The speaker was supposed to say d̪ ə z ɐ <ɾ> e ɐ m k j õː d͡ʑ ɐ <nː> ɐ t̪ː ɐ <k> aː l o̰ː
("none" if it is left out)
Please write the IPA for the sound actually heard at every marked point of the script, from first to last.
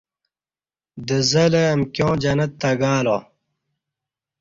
l, n, ɡ

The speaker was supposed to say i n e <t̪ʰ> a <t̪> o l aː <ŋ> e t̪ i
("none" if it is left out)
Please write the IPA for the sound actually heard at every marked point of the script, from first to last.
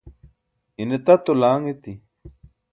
t̪, t̪, ŋ

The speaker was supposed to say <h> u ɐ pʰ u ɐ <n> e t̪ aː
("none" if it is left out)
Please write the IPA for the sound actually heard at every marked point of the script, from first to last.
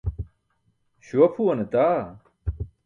ɕ, n

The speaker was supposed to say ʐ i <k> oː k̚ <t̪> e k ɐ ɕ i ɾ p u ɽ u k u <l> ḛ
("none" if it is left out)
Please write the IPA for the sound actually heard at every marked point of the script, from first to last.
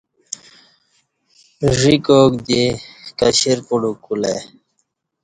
k, d̪, l

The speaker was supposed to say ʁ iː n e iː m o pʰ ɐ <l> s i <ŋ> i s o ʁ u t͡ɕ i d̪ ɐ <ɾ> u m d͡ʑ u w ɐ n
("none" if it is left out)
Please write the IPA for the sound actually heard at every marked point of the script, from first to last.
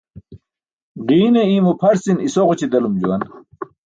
ɾ, n, l

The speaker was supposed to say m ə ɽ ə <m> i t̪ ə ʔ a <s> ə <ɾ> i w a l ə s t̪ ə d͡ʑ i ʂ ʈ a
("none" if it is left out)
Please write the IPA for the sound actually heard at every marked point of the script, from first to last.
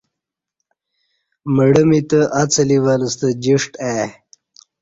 m, t͡s, l

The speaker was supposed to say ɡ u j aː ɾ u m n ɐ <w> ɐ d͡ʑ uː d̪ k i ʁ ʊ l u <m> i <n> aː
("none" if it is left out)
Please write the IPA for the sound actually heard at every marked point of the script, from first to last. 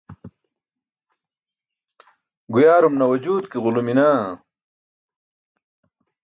w, m, n

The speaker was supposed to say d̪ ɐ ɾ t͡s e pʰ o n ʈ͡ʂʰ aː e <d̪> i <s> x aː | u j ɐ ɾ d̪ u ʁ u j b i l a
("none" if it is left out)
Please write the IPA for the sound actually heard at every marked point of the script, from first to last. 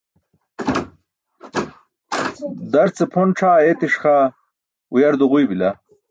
t̪, ʂ

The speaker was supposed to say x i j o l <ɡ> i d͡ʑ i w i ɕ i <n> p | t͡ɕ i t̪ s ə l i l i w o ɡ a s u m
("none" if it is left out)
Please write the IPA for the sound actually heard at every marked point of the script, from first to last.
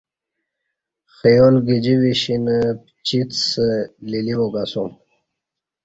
ɡ, n

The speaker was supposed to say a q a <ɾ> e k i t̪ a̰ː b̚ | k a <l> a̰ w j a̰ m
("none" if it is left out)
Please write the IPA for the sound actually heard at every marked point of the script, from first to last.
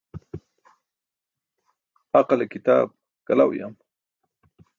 l, l

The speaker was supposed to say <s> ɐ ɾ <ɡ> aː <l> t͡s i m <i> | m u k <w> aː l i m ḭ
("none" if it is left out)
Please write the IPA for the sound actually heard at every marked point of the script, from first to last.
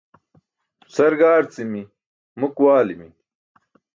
s, ɡ, ɾ, i, w

